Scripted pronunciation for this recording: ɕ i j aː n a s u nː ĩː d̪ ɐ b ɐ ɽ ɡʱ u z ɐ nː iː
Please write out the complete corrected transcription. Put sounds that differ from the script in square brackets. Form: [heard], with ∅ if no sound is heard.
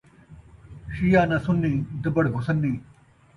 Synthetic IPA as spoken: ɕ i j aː n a s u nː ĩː d̪ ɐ b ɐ ɽ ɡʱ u [s] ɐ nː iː